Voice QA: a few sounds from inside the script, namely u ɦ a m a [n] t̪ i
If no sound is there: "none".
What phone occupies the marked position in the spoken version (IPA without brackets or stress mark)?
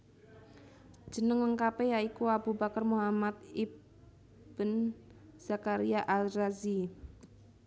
none